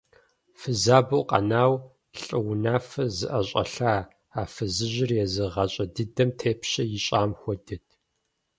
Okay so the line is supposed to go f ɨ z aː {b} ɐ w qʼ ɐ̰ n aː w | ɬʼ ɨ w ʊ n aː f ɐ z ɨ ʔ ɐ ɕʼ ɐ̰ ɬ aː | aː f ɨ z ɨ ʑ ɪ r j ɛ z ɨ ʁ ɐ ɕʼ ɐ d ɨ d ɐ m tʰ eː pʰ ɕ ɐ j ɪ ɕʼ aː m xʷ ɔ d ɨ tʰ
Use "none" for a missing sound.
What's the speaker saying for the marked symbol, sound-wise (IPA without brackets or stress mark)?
b